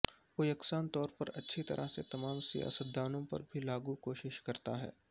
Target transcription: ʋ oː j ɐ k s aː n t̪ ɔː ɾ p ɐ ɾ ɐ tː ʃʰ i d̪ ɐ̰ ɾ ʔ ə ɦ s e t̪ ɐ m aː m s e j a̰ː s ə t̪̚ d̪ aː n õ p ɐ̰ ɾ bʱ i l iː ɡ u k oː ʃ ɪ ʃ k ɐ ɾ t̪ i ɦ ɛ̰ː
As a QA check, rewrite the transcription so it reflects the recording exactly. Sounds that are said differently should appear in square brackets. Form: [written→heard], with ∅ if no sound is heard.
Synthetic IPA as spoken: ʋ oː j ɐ k s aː n t̪ ɔː ɾ p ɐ ɾ ɐ tː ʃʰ i [d̪→t̪] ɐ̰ ɾ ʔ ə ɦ s e t̪ ɐ m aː m s [e→i] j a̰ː s ə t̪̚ d̪ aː n õ p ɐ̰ ɾ bʱ i l [iː→aː] ɡ u k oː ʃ ɪ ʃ k ɐ ɾ t̪ [i→a] ɦ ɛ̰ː